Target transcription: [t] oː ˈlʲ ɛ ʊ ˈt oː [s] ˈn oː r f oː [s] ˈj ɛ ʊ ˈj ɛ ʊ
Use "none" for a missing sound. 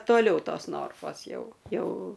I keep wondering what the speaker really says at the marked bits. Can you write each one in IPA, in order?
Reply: t, s, s

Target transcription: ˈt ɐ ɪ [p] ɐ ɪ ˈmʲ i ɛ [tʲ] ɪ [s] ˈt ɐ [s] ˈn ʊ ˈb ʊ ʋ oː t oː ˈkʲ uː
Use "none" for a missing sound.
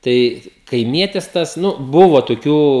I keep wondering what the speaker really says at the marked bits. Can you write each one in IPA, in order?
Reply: k, tʲ, s, s

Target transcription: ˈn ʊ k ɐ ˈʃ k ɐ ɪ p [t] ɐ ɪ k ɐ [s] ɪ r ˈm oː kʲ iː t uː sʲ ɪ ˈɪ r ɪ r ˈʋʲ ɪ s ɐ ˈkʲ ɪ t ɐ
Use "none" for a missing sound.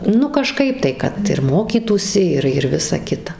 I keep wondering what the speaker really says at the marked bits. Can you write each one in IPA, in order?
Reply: t, t

